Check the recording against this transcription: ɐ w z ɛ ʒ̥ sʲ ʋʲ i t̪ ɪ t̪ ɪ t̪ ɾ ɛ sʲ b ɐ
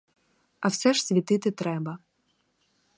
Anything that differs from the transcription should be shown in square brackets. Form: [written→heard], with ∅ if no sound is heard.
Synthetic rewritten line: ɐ w [z→s] ɛ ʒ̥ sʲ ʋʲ i t̪ ɪ t̪ ɪ t̪ ɾ ɛ [sʲ→∅] b ɐ